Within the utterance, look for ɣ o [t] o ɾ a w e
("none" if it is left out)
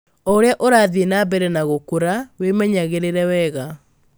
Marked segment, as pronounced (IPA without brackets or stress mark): k